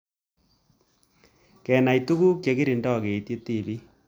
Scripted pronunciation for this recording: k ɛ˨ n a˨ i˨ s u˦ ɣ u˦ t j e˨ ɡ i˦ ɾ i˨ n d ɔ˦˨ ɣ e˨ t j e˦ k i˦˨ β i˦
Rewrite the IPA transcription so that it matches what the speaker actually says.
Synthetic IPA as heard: k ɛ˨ n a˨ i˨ t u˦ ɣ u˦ k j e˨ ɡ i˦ ɾ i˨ n d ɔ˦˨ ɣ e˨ t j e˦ t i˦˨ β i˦